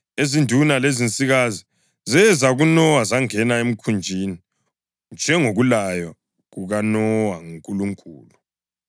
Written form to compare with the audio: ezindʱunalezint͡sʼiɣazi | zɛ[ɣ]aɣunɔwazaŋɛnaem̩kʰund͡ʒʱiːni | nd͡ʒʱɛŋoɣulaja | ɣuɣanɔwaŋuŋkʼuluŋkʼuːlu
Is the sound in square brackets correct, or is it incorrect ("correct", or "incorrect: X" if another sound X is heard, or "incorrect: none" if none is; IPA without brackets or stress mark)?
incorrect: z